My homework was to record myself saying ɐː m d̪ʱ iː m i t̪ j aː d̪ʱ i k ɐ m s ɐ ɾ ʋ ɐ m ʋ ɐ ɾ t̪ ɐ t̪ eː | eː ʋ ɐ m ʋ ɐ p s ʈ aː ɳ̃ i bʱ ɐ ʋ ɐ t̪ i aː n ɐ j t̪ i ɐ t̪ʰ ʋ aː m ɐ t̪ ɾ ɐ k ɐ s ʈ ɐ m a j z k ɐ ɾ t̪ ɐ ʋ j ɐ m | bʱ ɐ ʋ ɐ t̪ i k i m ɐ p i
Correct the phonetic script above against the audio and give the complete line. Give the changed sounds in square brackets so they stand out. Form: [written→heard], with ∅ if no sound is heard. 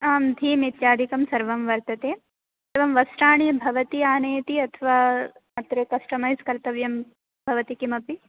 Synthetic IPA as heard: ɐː m d̪ʱ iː m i t̪ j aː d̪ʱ i k ɐ m s ɐ ɾ ʋ ɐ m ʋ ɐ ɾ t̪ ɐ t̪ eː | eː ʋ ɐ m ʋ ɐ [p→∅] s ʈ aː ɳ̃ i bʱ ɐ ʋ ɐ t̪ i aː n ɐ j t̪ i ɐ t̪ʰ ʋ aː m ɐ t̪ ɾ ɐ k ɐ s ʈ ɐ m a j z k ɐ ɾ t̪ ɐ ʋ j ɐ m | bʱ ɐ ʋ ɐ t̪ i k i m ɐ p i